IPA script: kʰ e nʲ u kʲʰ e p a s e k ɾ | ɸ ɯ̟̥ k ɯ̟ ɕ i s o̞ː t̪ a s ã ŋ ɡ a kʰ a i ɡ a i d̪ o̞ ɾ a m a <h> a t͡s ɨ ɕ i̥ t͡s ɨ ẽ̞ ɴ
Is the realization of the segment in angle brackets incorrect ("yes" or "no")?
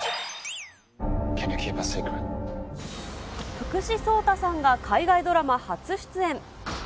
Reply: no